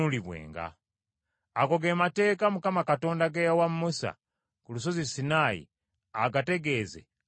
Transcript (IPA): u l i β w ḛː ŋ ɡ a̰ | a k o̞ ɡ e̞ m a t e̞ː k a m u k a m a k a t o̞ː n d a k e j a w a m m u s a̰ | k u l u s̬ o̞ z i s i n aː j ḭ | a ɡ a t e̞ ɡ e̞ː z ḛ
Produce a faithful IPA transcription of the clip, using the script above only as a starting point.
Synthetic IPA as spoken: u l i β w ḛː ŋ ɡ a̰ | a k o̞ ɡ e̞ m a t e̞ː k a m u k a m a k a t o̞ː n d a ɡ e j a w a m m u s a̰ | k u l u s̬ o̞ z i s i n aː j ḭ | a ɡ a t e̞ ɡ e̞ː z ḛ